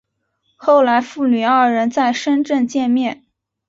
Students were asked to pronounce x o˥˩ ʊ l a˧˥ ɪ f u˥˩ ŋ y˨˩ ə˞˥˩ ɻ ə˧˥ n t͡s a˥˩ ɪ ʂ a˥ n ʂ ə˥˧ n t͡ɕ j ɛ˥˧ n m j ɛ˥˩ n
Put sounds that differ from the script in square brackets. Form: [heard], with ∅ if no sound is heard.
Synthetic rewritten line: x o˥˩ ʊ l a˧˥ ɪ f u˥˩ [n] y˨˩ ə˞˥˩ ɻ ə˧˥ n t͡s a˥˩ ɪ ʂ [ə˥] n [ʈ͡ʂ] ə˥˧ n t͡ɕ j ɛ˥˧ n m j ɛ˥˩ n